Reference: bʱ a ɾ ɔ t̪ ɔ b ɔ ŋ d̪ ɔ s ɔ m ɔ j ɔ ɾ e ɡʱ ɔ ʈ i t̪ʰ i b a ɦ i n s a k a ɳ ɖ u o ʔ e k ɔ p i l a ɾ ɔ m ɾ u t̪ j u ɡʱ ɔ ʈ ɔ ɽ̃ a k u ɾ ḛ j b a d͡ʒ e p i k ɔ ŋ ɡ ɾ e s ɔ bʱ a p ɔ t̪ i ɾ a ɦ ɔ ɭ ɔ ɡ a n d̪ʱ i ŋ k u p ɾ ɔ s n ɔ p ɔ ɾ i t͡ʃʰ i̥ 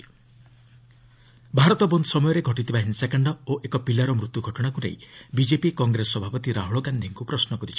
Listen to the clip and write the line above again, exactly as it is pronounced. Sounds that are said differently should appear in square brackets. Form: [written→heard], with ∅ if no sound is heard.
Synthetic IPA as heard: bʱ a ɾ ɔ t̪ ɔ b ɔ [ŋ→n] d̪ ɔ s ɔ m ɔ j ɔ ɾ e ɡʱ ɔ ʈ i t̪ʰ i b a ɦ i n s a k a ɳ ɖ [u→ɔ] o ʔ e k ɔ p i l a ɾ ɔ m ɾ u t̪ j u ɡʱ ɔ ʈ ɔ ɽ̃ a k u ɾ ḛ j b [a→i] d͡ʒ e p i k ɔ ŋ ɡ ɾ e s ɔ bʱ a p ɔ t̪ i ɾ a ɦ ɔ ɭ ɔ ɡ a n d̪ʱ i ŋ k u p ɾ ɔ s n ɔ [p→k] ɔ ɾ i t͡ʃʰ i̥